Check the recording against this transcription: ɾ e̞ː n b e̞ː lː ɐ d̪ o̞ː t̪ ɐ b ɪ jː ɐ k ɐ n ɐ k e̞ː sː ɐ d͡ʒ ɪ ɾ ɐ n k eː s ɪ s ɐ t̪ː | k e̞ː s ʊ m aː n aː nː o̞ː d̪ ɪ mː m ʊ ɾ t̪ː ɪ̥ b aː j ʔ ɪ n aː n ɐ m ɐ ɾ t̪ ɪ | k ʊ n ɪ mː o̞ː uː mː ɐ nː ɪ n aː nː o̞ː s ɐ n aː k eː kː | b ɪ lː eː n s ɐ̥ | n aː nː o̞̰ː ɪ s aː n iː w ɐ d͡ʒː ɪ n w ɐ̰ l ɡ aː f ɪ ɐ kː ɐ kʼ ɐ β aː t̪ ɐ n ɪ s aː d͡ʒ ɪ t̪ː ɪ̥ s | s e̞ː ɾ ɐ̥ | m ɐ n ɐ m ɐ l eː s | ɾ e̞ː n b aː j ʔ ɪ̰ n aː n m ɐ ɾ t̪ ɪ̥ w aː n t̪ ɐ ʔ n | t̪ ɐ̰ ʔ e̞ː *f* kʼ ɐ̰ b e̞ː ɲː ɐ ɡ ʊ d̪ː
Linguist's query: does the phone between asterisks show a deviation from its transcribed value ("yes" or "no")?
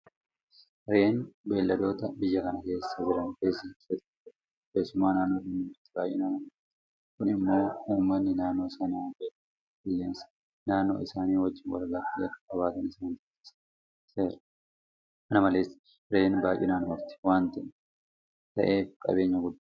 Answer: no